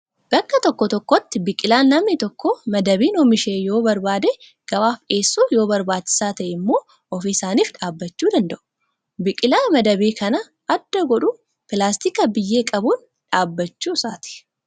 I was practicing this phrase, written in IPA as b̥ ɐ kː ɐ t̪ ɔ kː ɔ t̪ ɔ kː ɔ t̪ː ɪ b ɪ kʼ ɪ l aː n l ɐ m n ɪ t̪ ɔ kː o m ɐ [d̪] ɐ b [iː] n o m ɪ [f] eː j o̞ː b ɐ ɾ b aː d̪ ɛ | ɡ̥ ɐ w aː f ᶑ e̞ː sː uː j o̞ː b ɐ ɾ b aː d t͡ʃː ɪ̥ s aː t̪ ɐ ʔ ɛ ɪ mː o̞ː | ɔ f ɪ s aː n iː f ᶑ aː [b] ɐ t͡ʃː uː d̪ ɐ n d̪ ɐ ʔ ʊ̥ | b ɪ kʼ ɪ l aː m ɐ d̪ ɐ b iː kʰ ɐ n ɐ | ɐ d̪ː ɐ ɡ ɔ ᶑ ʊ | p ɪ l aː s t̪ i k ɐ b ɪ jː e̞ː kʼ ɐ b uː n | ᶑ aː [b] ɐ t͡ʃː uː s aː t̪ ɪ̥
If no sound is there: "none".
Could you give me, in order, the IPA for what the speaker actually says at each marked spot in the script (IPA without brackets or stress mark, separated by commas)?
d̪, iː, ʃ, bː, bː